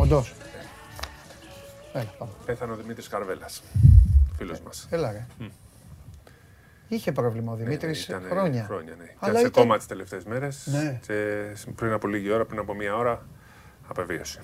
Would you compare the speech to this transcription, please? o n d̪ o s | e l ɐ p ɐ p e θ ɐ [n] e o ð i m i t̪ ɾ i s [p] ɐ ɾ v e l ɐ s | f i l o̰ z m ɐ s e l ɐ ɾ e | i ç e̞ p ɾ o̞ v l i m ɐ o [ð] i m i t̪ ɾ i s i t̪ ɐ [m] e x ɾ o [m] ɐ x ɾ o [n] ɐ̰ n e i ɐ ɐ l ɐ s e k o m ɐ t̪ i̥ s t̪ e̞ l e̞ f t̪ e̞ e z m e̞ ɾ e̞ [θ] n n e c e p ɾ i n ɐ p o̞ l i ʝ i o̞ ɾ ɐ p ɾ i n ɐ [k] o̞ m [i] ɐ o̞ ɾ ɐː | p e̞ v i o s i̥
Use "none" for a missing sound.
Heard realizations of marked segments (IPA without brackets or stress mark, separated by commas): n, k, ð, n, ɲ, ɲ, s, p, i